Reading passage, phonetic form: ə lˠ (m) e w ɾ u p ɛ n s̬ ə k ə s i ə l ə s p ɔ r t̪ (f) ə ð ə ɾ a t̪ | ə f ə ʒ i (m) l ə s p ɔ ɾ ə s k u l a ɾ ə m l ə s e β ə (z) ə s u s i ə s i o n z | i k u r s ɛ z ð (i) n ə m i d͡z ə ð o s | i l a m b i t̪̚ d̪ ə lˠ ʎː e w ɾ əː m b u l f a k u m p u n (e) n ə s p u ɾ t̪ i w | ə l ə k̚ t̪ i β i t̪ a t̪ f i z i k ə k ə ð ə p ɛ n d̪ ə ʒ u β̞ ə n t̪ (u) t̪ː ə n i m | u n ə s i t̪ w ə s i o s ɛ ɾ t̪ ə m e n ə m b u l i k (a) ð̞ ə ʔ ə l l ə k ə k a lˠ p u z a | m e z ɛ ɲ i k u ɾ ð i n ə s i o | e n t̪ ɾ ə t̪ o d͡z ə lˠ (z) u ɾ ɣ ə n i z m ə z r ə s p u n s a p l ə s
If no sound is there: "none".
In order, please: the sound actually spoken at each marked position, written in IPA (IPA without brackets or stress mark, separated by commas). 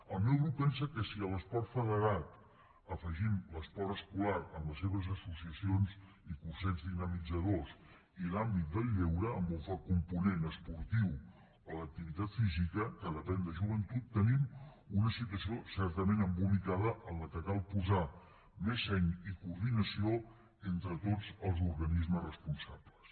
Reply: m, f, m, z, i, e, u, a, z